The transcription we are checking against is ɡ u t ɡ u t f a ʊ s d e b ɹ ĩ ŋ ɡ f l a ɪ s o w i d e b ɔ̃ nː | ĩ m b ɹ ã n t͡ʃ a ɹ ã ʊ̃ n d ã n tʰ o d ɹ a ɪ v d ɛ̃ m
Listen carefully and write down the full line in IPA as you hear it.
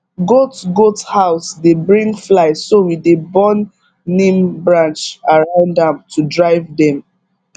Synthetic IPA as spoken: ɡ o t ɡ o t h a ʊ s d e b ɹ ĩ ŋ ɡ f l a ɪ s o w i d e b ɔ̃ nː | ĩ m b ɹ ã n t͡ʃ a ɹ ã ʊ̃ n d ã m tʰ u d ɹ a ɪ v d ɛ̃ m